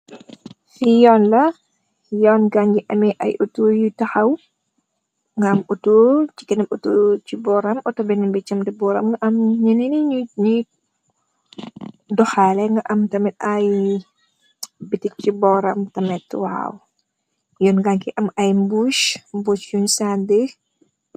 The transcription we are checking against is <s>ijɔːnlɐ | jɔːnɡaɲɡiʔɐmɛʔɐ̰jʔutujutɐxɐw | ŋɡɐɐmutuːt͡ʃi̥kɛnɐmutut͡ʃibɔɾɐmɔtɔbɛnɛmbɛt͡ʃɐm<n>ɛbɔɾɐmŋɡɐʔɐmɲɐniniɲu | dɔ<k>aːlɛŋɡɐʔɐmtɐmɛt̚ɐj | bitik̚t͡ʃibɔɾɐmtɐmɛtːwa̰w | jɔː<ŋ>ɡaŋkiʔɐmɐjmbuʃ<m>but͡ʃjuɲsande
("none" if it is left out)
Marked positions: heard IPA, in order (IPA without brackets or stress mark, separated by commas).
f, d, x, n, m